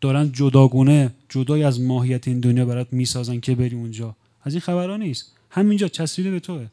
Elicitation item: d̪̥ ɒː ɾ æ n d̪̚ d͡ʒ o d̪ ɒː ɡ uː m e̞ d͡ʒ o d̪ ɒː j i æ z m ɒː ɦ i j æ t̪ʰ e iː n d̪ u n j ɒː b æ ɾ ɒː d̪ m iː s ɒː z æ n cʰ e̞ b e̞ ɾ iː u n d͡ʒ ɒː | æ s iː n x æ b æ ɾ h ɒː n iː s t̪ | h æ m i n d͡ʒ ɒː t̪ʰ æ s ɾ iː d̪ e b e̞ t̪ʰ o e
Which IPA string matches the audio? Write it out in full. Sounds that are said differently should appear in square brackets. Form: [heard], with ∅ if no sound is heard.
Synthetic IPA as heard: d̪̥ ɒː ɾ æ n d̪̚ d͡ʒ o d̪ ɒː ɡ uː [n] e̞ d͡ʒ o d̪ ɒː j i æ z m ɒː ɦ i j æ t̪ʰ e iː n d̪ [o] n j ɒː b æ ɾ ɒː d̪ m iː s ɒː z æ n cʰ e̞ b e̞ ɾ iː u n d͡ʒ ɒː | æ [z] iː n x æ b æ ɾ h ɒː n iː s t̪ | h æ m i n d͡ʒ ɒː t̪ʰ æ s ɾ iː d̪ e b e̞ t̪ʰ o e